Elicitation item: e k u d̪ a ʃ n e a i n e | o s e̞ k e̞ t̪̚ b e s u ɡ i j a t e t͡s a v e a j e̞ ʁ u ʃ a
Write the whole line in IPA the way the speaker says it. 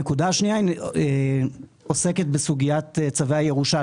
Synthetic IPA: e k u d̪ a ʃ n i a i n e | o s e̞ k e̞ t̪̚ b e s u ɡ i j a t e t͡s a v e a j e̞ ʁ u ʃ a